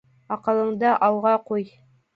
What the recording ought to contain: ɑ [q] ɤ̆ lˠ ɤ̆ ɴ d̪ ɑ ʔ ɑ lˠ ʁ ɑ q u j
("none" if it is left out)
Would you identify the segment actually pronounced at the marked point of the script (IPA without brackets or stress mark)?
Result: q